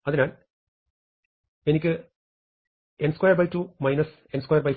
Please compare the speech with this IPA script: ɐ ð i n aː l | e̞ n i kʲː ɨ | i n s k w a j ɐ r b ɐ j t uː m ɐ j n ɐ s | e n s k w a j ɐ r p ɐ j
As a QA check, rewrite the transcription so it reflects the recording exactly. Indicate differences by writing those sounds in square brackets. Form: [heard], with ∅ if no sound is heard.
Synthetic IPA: ɐ ð i n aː l | e̞ n i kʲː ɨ | [e] n s k w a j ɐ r b ɐ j t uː m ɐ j n ɐ s | e n s k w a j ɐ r [b] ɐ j